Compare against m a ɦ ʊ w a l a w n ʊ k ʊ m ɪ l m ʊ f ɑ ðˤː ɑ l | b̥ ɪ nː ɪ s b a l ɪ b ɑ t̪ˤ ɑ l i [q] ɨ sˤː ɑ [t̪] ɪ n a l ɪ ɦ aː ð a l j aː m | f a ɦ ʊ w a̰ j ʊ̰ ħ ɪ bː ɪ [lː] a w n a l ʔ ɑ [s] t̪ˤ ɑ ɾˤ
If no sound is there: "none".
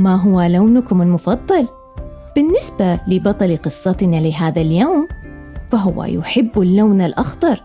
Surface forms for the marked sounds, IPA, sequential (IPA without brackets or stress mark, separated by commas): q, t̪, lː, x